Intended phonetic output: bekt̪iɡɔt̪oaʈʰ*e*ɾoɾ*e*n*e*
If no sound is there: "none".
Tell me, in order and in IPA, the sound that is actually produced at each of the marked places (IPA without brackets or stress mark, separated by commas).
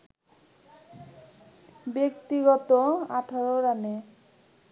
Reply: a, a, e